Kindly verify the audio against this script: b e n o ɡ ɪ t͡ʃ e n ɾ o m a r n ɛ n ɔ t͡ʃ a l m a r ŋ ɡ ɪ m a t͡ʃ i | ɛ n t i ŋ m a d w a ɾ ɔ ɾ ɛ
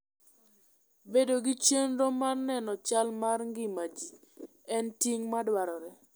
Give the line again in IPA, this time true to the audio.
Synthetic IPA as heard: b e d o ɡ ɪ t͡ʃ e n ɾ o m a r n ɛ n ɔ t͡ʃ a l m a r ŋ ɡ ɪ m a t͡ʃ i | ɛ n t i ŋ m a d w a ɾ ɔ ɾ ɛ